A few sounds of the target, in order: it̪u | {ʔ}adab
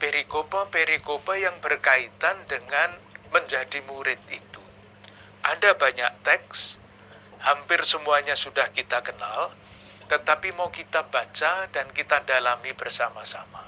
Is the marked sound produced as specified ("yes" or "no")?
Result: yes